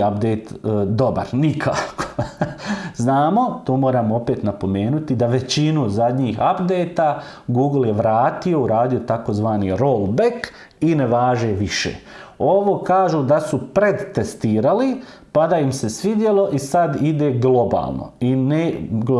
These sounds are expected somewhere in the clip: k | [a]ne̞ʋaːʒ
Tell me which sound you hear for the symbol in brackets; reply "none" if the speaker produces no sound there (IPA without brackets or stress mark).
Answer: i